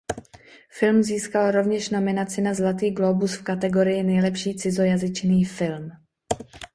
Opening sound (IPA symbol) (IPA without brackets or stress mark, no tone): f